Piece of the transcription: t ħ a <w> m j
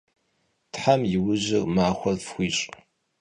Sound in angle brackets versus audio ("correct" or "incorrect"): incorrect